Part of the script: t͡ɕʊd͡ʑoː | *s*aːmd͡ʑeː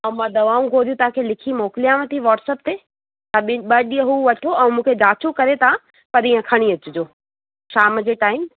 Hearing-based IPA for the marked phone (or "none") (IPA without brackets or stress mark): ʃ